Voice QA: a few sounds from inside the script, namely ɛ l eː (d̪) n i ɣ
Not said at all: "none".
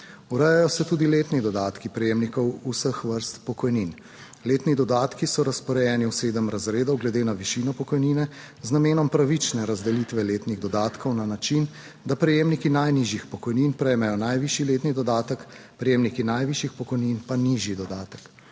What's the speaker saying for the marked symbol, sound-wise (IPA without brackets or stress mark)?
t̪